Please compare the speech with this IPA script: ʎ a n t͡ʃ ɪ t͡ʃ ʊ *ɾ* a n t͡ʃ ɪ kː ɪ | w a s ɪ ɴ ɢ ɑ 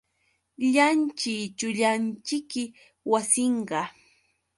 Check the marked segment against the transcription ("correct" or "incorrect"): incorrect